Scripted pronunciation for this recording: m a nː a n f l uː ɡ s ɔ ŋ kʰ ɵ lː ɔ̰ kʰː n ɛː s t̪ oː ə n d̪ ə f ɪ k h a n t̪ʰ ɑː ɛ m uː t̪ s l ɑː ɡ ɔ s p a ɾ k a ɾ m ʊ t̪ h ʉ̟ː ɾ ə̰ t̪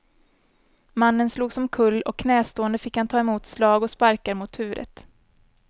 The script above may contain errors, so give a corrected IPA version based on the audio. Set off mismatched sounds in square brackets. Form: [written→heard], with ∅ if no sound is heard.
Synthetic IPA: m a nː [a→ə] n [f→s] l uː ɡ s ɔ [ŋ→m] kʰ ɵ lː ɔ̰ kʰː n ɛː s t̪ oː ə n d̪ ə f ɪ k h a n t̪ʰ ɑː ɛ m uː t̪ s l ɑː ɡ ɔ s p a ɾ k a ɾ m ʊ t̪ h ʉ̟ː ɾ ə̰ t̪